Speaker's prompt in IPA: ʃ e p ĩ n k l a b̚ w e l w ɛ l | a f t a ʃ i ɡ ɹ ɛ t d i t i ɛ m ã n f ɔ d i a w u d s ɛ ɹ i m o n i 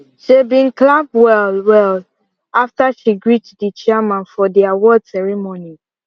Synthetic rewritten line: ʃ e b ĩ n k l a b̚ w ɛ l w ɛ l | a f t a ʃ i ɡ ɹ i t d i t͡ʃ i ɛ m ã n f ɔ d i a w ɔ d s ɛ ɹ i m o n i